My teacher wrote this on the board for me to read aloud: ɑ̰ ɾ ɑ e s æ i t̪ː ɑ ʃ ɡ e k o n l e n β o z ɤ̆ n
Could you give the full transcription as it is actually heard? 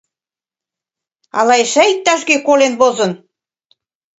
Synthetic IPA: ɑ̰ l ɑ e ʃ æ i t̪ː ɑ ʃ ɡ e k o l e n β o z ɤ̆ n